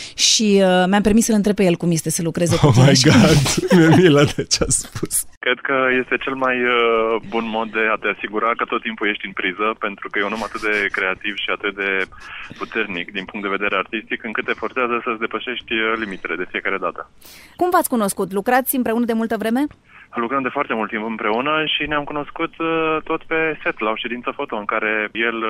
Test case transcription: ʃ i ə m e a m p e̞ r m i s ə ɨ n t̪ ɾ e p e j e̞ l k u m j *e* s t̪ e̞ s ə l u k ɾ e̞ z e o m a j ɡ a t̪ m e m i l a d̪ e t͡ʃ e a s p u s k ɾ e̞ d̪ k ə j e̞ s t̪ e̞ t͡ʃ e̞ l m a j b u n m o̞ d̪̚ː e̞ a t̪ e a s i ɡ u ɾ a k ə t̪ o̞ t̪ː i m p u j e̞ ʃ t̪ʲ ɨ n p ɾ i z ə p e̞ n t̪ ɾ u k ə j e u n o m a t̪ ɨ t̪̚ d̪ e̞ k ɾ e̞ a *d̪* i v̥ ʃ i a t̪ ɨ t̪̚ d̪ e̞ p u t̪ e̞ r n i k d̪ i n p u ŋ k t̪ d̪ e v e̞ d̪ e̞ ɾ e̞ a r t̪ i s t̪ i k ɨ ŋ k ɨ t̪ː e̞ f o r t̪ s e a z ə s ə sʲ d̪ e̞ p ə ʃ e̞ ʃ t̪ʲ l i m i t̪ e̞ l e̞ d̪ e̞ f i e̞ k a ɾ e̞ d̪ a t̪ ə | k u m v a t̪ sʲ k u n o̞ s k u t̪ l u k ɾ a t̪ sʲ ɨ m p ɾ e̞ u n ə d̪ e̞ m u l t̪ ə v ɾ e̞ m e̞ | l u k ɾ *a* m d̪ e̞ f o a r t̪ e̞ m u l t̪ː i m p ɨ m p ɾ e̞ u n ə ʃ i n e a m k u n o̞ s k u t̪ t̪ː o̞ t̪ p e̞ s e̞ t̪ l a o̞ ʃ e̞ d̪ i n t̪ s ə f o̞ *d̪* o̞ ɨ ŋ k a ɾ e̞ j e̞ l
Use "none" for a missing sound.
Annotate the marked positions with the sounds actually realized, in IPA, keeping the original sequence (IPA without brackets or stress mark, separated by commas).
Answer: e, t̪, ə, t̪